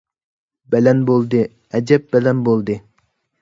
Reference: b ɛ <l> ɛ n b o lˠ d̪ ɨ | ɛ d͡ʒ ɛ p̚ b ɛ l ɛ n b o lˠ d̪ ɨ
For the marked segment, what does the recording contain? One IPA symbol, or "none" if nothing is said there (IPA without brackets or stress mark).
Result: l